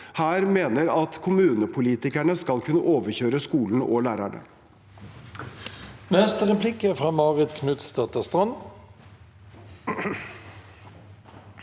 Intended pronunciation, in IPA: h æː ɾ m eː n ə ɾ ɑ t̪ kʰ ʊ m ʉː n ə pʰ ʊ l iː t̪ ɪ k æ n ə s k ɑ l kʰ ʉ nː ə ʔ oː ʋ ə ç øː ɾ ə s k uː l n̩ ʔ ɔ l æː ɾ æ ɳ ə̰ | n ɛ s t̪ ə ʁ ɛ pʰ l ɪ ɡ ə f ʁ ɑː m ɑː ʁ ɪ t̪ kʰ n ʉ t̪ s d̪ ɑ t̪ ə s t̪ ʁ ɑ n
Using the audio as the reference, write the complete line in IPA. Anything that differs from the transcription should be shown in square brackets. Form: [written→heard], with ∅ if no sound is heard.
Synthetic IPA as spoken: h æː ɾ m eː n ə ɾ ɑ t̪ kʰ ʊ m ʉː n ə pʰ ʊ l iː t̪ ɪ k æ [n→ɳ] ə s k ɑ l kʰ ʉ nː ə ʔ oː ʋ ə ç øː ɾ ə s k uː l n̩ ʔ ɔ l æː ɾ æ ɳ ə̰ | n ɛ s t̪ ə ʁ ɛ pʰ l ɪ [ɡ→k] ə f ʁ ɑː m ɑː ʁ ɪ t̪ kʰ n ʉ t̪ s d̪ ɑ t̪ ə s t̪ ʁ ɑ n